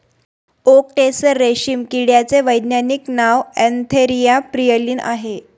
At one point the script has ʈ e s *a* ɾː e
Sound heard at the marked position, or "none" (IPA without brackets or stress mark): ə